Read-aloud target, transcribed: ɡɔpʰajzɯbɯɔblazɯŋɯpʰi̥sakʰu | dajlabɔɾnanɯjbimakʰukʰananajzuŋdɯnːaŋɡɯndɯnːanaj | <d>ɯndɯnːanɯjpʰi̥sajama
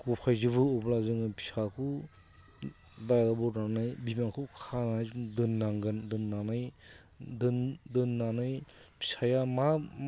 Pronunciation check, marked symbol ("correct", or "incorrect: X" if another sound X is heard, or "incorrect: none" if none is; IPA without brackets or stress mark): correct